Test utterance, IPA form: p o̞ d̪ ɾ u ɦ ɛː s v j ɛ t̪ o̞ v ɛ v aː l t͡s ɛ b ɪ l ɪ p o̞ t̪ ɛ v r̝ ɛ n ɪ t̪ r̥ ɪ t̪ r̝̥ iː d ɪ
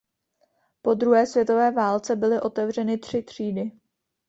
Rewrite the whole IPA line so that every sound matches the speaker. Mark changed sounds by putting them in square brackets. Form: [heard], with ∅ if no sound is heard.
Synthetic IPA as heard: p o̞ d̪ ɾ u ɦ ɛː s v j ɛ t̪ o̞ v [ɛː] v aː l t͡s ɛ b ɪ l ɪ [ʔ] o̞ t̪ ɛ v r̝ ɛ n ɪ t̪ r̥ ɪ t̪ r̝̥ iː d ɪ

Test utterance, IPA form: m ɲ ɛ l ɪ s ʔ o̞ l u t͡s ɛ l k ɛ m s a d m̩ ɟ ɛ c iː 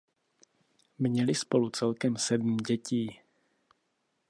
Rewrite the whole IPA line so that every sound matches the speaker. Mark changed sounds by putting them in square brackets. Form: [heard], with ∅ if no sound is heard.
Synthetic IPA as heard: m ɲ ɛ l ɪ s [p] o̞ l u t͡s ɛ l k ɛ m s [ɛ] d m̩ ɟ ɛ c iː

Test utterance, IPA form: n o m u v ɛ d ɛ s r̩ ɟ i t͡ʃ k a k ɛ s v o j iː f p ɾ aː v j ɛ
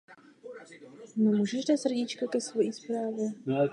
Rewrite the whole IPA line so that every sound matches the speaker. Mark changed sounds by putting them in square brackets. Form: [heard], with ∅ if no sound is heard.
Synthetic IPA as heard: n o m u [ʒ] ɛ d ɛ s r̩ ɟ i t͡ʃ k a k ɛ s v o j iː [s] p ɾ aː v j ɛ

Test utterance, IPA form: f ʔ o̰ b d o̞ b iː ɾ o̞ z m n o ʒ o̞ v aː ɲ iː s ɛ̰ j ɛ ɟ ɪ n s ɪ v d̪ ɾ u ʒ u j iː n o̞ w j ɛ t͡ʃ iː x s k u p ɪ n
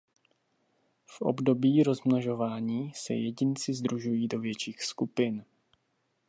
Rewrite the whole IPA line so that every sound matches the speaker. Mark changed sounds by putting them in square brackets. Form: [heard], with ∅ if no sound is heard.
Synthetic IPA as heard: f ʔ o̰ b d o̞ b iː ɾ o̞ z m n o ʒ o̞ v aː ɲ iː s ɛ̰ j ɛ ɟ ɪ n [t͡s] ɪ [z] d̪ ɾ u ʒ u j iː [d] o̞ [v] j ɛ t͡ʃ iː x s k u p ɪ n

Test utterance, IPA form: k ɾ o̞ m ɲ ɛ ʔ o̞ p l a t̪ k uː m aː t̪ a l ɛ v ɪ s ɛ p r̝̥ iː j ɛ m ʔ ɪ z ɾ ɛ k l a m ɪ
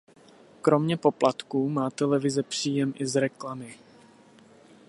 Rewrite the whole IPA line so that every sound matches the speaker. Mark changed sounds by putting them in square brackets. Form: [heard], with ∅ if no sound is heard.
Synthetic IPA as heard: k ɾ o̞ m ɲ ɛ [p] o̞ p l a t̪ k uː m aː t̪ [ɛ] l ɛ v ɪ [z] ɛ p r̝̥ iː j ɛ m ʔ ɪ z ɾ ɛ k l a m ɪ

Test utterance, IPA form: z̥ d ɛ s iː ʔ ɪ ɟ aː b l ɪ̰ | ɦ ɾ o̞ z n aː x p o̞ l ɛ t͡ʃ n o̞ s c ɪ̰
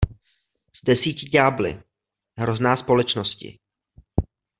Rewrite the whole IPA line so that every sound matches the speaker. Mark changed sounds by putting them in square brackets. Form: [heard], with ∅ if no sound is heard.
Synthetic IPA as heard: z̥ d ɛ s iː [c] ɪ ɟ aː b l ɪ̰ | ɦ ɾ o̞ z n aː [s] p o̞ l ɛ t͡ʃ n o̞ s c ɪ̰

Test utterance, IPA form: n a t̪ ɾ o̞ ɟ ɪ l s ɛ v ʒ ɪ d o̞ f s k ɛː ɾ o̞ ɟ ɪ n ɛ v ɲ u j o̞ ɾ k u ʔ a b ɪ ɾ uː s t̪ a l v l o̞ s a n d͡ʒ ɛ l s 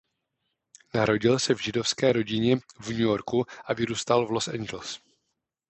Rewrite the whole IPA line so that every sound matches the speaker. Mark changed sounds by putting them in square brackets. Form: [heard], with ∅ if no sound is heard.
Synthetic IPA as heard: n a [∅] ɾ o̞ ɟ ɪ l s ɛ v ʒ ɪ d o̞ f s k ɛː ɾ o̞ ɟ ɪ [ɲ] ɛ v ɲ u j o̞ ɾ k u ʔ a [v] ɪ ɾ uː s t̪ a l v l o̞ s [ɛ] n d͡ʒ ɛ l s

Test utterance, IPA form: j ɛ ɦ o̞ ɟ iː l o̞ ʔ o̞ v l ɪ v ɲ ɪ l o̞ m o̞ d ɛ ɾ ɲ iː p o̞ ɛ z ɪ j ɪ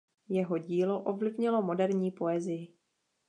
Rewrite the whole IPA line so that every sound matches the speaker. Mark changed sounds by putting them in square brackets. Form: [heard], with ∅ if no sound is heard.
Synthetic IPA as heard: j ɛ ɦ o̞ ɟ iː l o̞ ʔ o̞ v l ɪ v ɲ ɪ l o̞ m o̞ d ɛ ɾ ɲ iː p o̞ ɛ z ɪ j ɪ

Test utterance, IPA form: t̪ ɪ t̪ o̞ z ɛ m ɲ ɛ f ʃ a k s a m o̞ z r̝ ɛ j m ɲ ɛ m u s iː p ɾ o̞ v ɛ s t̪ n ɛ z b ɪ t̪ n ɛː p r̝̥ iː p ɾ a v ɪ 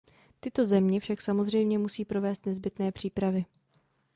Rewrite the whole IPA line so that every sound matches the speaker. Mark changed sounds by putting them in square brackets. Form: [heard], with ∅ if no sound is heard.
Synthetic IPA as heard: t̪ ɪ t̪ o̞ z ɛ m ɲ ɛ f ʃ a k s a m o̞ z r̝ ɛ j m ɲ ɛ m u s iː p ɾ o̞ v [ɛː] s t̪ n ɛ z b ɪ t̪ n ɛː p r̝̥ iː p ɾ a v ɪ

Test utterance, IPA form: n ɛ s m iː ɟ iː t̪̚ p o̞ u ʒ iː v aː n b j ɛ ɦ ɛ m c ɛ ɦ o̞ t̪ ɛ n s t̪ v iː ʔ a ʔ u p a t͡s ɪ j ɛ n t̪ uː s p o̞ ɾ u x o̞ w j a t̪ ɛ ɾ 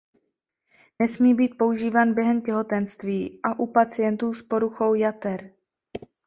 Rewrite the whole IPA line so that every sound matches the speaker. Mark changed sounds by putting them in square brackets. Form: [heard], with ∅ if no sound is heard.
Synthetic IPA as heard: n ɛ s m iː [b] iː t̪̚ p o̞ u ʒ iː v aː n b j ɛ ɦ ɛ m c ɛ ɦ o̞ t̪ ɛ n s t̪ v iː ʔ a ʔ u p a t͡s ɪ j ɛ n t̪ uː s p o̞ ɾ u x o̞ w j a t̪ ɛ ɾ

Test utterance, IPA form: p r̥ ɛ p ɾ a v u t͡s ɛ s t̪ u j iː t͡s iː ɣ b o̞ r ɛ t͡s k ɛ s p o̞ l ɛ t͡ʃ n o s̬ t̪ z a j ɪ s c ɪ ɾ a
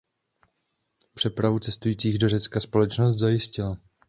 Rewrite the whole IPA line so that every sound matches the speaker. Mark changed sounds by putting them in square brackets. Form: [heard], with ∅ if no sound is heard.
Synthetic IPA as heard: p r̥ ɛ p ɾ a v u t͡s ɛ s t̪ u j iː t͡s iː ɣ [d] o̞ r ɛ t͡s k [a] s p o̞ l ɛ t͡ʃ n o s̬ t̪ z a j ɪ s c ɪ [l] a

